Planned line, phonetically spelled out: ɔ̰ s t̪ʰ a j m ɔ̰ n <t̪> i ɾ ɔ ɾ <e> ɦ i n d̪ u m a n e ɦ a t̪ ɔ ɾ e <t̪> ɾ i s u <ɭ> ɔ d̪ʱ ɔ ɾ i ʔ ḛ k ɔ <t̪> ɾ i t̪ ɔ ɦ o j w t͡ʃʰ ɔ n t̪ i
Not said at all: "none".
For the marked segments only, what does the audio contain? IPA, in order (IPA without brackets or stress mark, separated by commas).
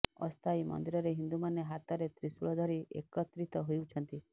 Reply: d̪, e, t̪, ɭ, t̪